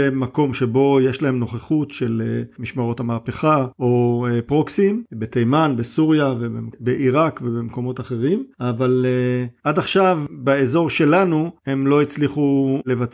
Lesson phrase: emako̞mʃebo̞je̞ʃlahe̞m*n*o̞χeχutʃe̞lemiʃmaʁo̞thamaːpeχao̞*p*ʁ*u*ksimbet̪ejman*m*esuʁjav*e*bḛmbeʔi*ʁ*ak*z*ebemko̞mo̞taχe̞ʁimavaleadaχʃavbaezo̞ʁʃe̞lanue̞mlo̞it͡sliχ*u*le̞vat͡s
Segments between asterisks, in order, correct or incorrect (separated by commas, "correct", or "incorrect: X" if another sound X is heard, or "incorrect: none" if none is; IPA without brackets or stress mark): correct, correct, incorrect: o, incorrect: b, correct, correct, incorrect: v, correct